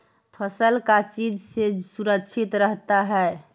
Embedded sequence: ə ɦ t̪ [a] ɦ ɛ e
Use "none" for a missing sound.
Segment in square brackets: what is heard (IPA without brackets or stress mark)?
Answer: a